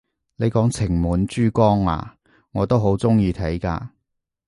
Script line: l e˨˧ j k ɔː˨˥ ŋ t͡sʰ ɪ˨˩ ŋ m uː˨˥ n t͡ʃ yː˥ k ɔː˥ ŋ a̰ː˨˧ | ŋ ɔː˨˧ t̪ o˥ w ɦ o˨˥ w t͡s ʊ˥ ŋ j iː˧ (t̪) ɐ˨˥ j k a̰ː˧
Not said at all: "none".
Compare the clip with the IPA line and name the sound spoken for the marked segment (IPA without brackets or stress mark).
t̪ʰ